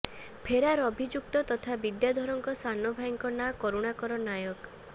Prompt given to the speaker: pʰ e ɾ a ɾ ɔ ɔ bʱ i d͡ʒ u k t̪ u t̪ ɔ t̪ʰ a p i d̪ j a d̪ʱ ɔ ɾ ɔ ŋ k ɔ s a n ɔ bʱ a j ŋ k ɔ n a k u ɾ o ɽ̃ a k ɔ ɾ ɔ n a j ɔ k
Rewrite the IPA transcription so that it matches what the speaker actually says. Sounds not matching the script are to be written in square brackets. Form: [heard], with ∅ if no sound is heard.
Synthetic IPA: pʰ e ɾ a ɾ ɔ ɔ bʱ i d͡ʒ u k t̪ [ɔ] t̪ ɔ t̪ʰ a [b] i d̪ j a d̪ʱ ɔ ɾ ɔ ŋ k ɔ s a n ɔ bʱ a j ŋ k ɔ n a k [ɔ] ɾ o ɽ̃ a k ɔ ɾ ɔ n a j ɔ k